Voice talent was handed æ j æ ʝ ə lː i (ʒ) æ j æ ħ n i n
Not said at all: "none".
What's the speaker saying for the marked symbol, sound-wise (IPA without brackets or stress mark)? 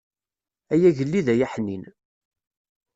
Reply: ð